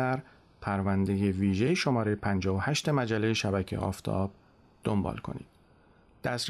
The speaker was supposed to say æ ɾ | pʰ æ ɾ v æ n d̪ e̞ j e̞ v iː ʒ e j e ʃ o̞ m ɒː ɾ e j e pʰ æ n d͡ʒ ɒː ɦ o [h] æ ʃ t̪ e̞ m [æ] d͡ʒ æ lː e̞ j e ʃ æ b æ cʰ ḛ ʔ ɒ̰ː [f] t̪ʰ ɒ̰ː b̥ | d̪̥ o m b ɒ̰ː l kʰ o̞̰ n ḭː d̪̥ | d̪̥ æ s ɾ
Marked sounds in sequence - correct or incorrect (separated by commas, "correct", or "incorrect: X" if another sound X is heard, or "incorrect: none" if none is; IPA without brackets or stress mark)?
correct, correct, correct